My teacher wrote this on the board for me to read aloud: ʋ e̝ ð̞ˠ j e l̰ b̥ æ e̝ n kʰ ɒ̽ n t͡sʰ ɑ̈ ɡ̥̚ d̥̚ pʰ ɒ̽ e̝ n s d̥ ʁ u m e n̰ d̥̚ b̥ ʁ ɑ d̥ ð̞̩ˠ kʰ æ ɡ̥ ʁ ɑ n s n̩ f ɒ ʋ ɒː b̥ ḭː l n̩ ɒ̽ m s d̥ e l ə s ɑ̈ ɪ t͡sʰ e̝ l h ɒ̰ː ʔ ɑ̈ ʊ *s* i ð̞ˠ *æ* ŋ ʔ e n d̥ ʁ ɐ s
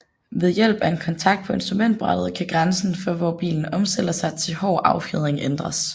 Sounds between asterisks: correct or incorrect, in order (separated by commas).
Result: incorrect, incorrect